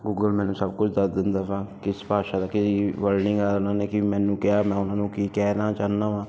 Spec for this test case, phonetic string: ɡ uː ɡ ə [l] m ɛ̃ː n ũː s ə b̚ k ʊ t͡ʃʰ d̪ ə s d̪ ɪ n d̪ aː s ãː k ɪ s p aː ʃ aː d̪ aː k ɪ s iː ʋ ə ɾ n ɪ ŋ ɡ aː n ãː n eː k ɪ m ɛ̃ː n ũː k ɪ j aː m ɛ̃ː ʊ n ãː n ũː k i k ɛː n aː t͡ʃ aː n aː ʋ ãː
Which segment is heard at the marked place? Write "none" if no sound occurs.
l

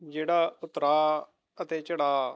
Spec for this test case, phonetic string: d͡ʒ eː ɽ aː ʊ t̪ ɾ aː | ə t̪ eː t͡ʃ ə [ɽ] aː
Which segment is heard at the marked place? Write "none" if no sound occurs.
ɽ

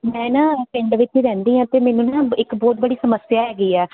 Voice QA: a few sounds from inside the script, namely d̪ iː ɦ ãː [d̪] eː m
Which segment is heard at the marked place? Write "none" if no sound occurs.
t̪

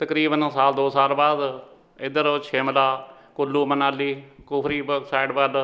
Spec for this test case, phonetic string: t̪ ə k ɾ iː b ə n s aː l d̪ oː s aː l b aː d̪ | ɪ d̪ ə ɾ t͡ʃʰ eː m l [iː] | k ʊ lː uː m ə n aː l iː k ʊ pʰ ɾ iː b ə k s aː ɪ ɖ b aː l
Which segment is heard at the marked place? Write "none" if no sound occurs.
aː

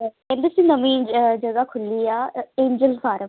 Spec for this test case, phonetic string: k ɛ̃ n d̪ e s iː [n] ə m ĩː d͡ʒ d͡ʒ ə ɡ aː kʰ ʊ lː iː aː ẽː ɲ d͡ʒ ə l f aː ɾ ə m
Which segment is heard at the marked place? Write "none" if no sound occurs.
n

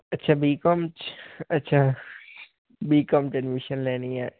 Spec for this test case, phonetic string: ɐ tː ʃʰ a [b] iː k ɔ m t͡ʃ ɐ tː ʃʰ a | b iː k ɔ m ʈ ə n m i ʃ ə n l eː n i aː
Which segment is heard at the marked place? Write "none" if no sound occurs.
b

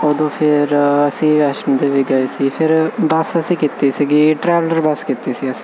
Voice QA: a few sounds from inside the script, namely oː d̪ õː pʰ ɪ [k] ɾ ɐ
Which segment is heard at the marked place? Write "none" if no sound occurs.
none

